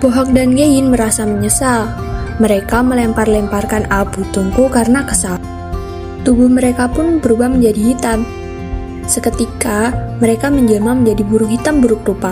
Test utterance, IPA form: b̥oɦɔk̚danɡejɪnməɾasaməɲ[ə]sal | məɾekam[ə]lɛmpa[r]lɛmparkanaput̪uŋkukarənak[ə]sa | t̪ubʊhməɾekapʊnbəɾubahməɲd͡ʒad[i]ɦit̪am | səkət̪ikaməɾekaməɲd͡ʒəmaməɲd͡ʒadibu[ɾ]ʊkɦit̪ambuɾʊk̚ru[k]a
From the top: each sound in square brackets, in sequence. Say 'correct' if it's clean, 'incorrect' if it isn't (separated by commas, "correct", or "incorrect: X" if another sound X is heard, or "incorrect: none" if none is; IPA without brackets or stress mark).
correct, correct, correct, correct, correct, correct, incorrect: p